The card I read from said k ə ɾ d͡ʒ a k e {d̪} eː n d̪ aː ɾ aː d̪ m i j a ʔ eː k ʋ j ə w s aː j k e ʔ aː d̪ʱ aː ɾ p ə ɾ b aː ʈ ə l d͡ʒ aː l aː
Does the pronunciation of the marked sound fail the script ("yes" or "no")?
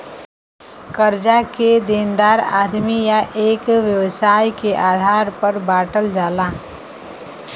no